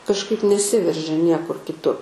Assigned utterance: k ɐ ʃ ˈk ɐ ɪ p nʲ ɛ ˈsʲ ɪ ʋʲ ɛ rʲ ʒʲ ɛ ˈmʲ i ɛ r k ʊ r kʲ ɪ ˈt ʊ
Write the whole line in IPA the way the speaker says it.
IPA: k ɐ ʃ ˈk ɐ ɪ p nʲ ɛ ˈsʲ ɪ ʋʲ ɛ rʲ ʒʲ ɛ ˈnʲ i ɛ k ʊ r kʲ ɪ ˈt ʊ